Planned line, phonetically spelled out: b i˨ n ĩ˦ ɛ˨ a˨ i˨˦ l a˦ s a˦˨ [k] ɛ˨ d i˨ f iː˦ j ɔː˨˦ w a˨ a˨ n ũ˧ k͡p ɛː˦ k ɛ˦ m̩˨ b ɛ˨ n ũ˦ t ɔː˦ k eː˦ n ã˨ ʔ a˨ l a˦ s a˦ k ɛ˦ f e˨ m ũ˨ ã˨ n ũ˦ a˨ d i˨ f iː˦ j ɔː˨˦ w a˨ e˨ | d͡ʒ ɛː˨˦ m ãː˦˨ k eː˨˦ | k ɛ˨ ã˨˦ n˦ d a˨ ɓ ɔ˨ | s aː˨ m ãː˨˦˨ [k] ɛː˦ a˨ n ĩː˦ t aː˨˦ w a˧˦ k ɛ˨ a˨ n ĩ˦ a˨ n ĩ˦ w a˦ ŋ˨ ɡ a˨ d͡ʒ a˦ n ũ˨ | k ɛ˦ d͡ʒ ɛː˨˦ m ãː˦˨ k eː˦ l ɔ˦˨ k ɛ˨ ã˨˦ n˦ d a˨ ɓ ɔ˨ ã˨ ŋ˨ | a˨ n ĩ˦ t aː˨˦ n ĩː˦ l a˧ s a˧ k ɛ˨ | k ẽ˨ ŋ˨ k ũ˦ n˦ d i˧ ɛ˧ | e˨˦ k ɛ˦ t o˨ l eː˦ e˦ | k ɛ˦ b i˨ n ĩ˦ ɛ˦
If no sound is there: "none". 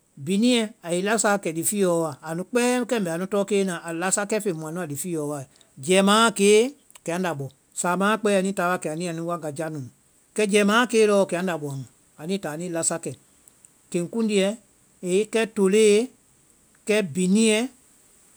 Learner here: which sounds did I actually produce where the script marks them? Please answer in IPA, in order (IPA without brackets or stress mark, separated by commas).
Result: k, k͡p